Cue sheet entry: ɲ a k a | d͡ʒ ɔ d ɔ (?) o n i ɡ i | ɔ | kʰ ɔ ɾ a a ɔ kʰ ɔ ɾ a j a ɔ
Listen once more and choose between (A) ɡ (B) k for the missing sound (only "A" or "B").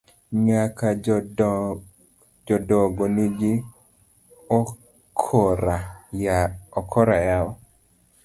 A